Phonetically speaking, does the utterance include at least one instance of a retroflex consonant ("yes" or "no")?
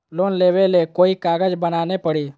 yes